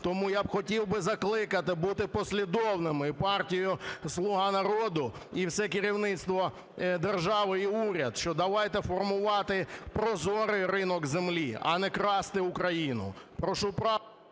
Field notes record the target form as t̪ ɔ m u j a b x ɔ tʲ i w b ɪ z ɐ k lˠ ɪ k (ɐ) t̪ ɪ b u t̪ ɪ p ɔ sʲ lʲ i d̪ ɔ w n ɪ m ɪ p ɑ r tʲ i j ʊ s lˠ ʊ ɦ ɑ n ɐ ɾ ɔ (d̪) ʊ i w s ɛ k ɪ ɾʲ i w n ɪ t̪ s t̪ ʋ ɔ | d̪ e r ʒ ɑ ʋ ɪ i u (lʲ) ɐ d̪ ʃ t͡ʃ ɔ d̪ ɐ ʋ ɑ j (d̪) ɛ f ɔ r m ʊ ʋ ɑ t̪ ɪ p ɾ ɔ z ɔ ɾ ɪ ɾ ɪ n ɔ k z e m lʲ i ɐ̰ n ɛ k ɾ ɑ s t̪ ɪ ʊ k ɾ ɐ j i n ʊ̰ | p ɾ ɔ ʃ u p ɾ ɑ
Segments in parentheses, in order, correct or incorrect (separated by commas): correct, correct, incorrect, incorrect